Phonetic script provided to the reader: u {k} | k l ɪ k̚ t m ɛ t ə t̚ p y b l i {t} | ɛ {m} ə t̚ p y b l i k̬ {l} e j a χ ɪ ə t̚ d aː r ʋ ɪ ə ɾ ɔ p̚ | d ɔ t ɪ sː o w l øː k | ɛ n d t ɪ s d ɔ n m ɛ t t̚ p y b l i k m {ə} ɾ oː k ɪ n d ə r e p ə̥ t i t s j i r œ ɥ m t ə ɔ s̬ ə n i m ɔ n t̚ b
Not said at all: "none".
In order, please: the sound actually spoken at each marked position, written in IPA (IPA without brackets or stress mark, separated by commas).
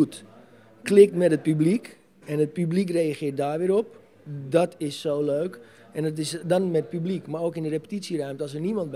t, k, n, r, a